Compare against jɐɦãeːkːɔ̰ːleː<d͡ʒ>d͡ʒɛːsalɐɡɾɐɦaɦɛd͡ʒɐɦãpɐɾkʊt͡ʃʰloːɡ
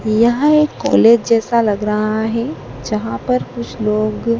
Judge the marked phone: correct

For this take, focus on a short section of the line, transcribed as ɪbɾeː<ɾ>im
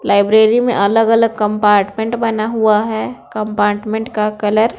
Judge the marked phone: correct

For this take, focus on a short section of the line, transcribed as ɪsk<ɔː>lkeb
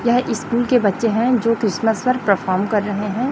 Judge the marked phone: incorrect: uː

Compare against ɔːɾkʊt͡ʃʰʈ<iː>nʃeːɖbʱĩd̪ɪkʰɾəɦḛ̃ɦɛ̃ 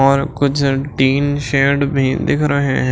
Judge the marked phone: correct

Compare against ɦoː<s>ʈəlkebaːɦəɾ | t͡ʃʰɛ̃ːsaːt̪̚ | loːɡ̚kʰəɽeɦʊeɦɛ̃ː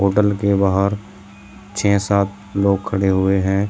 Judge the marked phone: incorrect: none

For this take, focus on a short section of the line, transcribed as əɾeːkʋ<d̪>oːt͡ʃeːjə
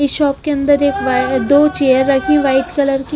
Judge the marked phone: correct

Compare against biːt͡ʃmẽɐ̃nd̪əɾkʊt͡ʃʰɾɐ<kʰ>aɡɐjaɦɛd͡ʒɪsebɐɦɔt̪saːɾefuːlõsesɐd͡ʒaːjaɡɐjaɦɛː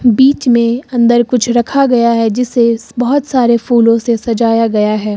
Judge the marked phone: correct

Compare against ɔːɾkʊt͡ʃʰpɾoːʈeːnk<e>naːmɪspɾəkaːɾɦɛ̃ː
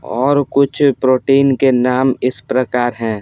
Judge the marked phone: correct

